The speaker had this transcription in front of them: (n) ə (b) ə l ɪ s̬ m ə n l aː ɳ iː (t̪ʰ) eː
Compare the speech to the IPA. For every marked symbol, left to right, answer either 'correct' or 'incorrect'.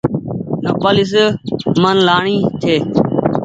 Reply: correct, incorrect: p, correct

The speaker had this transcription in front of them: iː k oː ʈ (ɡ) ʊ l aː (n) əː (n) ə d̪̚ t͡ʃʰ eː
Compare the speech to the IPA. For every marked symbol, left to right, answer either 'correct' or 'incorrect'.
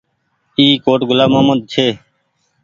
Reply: correct, incorrect: m, incorrect: m

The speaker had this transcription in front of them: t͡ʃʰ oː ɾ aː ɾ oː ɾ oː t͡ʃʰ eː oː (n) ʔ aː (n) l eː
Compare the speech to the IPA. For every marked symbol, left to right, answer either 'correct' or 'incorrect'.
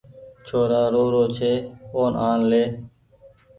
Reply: correct, correct

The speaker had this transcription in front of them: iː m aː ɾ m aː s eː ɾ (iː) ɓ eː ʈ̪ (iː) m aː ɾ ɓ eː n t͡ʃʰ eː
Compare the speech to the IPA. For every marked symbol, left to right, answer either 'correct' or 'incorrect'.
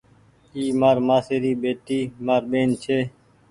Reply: correct, correct

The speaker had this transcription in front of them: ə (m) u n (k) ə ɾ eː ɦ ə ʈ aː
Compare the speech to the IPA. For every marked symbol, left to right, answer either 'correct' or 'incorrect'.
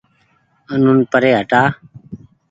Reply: incorrect: n, incorrect: p

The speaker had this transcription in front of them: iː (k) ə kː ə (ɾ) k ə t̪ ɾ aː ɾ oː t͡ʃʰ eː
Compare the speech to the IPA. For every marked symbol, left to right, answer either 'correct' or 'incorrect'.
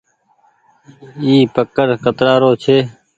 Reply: incorrect: p, correct

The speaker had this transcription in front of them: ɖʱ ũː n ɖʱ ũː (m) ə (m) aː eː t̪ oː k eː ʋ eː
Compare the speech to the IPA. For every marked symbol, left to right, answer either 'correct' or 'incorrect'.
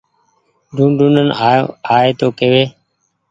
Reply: incorrect: n, incorrect: n

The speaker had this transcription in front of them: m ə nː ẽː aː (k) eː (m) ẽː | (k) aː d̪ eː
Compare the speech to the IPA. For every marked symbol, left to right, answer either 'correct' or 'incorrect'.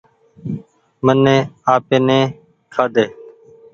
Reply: incorrect: p, incorrect: n, incorrect: kʰ

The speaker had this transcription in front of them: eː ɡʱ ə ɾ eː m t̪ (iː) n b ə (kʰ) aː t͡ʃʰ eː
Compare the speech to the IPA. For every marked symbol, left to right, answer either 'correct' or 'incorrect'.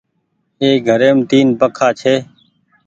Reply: correct, correct

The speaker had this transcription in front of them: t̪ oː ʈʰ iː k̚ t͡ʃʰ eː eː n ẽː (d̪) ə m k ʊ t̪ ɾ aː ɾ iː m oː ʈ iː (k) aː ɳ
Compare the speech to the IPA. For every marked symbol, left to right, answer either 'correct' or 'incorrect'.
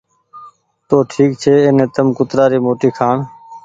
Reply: incorrect: t̪, incorrect: kʰ

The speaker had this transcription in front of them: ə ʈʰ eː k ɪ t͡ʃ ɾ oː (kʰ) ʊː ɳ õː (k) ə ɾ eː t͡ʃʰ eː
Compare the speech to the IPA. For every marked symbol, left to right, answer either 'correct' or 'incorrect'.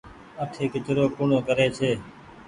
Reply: incorrect: k, correct

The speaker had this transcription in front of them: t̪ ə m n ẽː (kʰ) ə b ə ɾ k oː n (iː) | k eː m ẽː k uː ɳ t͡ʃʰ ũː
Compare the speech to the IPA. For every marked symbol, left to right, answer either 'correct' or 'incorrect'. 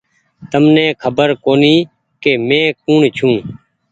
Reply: correct, correct

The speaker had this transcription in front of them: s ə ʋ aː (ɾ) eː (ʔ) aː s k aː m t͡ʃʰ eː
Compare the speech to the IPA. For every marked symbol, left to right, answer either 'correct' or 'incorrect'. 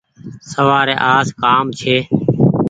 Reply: correct, correct

